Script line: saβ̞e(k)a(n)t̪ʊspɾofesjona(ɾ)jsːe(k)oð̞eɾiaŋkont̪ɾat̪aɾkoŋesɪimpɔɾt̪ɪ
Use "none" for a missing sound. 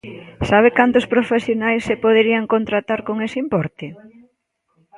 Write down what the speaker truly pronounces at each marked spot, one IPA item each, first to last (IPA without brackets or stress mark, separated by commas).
k, n, none, p